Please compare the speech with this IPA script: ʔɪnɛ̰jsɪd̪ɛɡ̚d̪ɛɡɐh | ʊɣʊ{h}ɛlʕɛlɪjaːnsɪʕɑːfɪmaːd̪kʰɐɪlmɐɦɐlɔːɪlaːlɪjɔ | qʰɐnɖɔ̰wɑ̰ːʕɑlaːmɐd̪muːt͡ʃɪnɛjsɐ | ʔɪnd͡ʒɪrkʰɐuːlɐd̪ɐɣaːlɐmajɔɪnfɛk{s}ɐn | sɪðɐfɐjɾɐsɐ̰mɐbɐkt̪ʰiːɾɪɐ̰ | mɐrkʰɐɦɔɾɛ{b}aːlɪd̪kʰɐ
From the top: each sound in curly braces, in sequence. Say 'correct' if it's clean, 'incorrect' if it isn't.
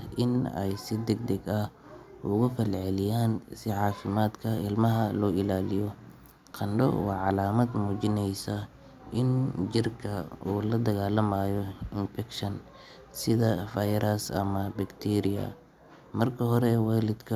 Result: incorrect: f, incorrect: ʃ, incorrect: w

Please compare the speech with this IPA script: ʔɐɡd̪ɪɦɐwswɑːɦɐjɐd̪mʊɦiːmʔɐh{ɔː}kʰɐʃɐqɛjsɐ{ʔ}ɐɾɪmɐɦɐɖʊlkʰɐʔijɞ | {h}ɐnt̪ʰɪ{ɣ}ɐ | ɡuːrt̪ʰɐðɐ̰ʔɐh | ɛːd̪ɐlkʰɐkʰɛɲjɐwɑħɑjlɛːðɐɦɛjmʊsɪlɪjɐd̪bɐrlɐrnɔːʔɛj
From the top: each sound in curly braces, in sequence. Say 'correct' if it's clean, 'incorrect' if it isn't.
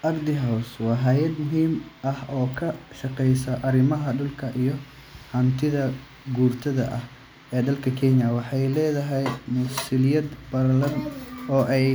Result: correct, correct, correct, incorrect: ð

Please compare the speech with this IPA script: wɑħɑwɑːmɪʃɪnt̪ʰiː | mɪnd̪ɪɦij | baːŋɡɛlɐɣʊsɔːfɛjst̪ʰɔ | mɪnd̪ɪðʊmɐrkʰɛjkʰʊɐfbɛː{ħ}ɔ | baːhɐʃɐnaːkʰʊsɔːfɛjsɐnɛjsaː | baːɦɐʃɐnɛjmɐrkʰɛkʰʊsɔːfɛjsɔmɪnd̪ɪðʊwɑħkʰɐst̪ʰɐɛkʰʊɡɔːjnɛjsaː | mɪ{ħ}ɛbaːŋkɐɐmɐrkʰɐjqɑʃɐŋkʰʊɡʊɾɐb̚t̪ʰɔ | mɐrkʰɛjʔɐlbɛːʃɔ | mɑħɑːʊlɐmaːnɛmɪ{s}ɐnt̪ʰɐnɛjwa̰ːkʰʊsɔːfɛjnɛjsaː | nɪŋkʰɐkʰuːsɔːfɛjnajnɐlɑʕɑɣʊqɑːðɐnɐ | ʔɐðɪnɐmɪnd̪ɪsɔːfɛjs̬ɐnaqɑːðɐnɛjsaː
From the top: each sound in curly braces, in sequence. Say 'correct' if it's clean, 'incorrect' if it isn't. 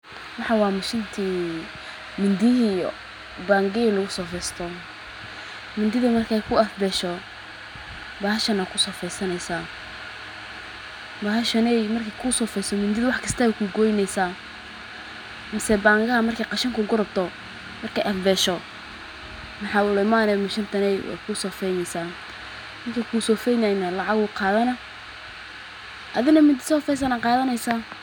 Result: incorrect: ʃ, incorrect: s, incorrect: ʃ

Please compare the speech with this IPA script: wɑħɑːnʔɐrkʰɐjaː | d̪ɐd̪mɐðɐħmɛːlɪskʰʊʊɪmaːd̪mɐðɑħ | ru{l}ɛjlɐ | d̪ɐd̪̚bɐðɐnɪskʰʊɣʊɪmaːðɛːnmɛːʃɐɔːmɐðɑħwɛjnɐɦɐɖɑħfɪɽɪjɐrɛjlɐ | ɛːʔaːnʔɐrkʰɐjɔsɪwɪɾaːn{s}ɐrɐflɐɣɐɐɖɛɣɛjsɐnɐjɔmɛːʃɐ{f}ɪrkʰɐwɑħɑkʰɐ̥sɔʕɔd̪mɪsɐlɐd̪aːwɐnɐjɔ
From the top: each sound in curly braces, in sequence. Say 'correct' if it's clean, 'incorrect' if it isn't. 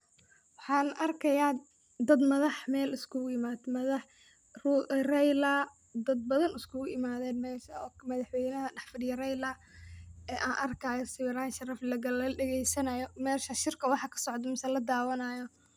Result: incorrect: r, incorrect: ʃ, incorrect: ʃ

